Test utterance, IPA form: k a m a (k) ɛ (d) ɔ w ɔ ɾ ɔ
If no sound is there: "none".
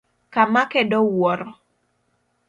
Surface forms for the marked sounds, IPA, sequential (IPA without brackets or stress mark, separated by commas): k, d